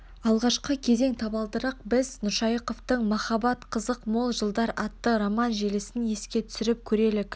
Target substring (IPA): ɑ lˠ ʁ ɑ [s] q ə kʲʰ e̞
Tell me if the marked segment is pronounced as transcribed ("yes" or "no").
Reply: no